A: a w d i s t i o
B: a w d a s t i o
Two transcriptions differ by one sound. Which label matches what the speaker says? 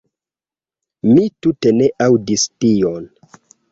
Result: A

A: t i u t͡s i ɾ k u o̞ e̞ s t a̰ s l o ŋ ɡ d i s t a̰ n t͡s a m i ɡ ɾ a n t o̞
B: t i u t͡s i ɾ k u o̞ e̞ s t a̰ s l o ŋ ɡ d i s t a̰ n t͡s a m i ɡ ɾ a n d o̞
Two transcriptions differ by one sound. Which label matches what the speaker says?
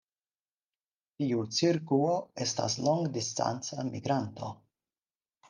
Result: A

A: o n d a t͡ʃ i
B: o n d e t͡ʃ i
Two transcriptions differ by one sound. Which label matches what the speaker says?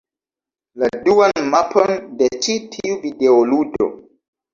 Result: B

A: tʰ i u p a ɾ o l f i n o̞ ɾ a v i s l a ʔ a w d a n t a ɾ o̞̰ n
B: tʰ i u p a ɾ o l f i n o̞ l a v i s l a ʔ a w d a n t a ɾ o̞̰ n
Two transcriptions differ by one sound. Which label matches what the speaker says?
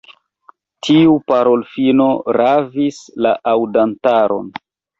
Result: A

